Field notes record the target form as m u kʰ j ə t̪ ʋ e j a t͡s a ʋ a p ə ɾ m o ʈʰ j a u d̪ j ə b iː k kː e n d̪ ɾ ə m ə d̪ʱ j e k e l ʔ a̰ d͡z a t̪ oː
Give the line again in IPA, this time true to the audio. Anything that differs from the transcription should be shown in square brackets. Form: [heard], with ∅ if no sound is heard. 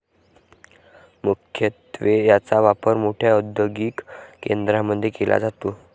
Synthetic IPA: m u kʰ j ə t̪ ʋ e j a t͡s a ʋ a p ə ɾ m o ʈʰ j a u d̪ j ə [ɡ] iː k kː e n d̪ ɾ [a] m ə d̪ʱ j e k e l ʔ a̰ d͡z a t̪ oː